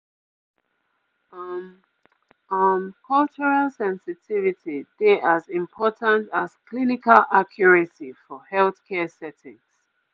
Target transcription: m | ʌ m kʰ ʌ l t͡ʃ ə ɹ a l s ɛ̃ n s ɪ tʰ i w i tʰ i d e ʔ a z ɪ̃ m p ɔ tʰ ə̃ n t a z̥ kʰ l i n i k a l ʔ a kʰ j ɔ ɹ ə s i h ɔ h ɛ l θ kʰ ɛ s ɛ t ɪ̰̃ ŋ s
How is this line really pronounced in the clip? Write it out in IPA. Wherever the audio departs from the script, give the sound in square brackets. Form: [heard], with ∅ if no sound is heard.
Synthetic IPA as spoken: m | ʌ m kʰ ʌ l t͡ʃ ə ɹ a l s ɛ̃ n s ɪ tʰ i [v] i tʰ i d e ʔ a z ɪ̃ m [pʰ] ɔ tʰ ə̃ n t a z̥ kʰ l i n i k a l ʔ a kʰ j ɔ ɹ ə s i [f] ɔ h ɛ l θ kʰ ɛ s ɛ t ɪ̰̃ ŋ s